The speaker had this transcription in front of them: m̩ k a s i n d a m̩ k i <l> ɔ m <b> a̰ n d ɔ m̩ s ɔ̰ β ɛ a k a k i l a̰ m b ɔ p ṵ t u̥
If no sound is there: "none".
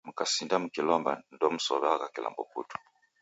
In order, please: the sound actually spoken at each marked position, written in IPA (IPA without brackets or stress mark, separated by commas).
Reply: l, b